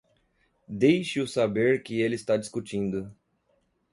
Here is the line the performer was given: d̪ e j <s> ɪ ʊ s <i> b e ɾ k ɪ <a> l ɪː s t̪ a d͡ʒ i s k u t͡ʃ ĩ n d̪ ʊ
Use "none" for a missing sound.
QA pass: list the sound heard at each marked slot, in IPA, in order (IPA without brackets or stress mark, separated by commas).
ʃ, a, e